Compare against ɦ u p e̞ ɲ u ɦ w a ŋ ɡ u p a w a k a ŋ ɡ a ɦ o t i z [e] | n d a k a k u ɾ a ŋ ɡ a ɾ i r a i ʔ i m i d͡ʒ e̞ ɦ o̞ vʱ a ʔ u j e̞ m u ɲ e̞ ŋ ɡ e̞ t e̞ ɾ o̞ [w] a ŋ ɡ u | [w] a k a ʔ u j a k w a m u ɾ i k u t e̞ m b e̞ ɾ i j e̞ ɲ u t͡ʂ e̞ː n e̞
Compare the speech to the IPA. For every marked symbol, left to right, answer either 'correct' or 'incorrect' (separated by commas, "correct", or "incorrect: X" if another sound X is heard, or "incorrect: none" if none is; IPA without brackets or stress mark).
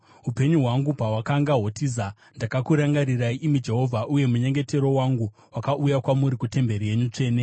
incorrect: a, correct, correct